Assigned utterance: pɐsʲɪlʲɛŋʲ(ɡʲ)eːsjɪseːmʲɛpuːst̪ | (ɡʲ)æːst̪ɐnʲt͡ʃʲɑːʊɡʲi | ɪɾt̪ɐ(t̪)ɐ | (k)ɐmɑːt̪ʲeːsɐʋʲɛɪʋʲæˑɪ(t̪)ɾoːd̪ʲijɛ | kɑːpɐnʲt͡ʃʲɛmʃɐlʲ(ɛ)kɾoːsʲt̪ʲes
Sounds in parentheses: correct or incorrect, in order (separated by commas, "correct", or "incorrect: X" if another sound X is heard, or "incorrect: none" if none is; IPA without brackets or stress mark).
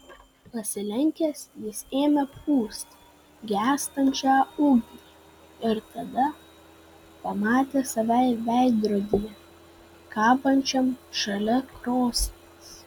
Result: incorrect: kʲ, correct, incorrect: d̪, incorrect: p, incorrect: d̪, correct